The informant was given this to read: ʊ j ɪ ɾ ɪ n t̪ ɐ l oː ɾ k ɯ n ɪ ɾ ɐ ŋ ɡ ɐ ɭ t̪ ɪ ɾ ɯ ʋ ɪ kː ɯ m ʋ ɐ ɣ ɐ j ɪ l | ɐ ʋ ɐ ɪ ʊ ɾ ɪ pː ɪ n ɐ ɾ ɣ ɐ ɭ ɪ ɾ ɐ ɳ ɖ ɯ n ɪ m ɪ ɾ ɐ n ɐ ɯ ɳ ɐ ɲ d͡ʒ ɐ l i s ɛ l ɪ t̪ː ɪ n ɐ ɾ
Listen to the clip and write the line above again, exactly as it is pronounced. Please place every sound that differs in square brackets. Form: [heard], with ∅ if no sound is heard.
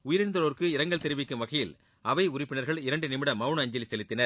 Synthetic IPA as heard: ʊ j ɪ ɾ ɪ n [d̪] ɐ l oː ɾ k ɯ [∅] ɪ ɾ ɐ ŋ ɡ ɐ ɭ t̪ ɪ ɾ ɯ ʋ ɪ kː ɯ m ʋ ɐ ɣ ɐ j ɪ l | ɐ ʋ ɐ ɪ ʊ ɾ ɪ pː ɪ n ɐ ɾ ɣ ɐ ɭ ɪ ɾ ɐ ɳ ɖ ɯ n ɪ m ɪ [ɽ] ɐ [m] ɐ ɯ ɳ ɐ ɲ d͡ʒ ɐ l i s ɛ l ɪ t̪ː ɪ n ɐ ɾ